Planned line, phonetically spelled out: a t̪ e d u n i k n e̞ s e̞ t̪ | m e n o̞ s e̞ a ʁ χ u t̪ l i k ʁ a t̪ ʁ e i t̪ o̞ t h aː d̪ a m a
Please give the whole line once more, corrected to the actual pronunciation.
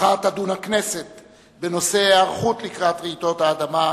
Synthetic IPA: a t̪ a d u n a k n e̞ s e̞ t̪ | b e n o̞ s e̞ a ʁ χ u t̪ l i k ʁ a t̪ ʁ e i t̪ o̞ t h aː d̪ a m a